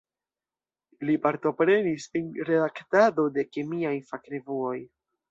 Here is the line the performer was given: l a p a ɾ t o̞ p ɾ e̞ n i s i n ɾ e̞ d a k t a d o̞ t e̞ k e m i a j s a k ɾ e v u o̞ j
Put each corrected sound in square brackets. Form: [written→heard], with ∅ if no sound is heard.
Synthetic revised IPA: l [a→i] p a ɾ t o̞ p ɾ e̞ n i s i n ɾ e̞ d a k t a d o̞ [t→d] e̞ k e m i a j [s→f] a k ɾ e v u o̞ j